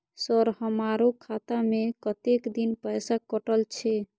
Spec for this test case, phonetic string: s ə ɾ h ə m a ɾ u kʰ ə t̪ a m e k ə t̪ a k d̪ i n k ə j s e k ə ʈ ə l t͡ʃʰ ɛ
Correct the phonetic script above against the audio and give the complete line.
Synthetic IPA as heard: s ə ɾ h ə m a ɾ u kʰ a t̪ a m e k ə t̪ e k d̪ i n p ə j s a k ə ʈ ə l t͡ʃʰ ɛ